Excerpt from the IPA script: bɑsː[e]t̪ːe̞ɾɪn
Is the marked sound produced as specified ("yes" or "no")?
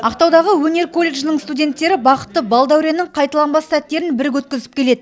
no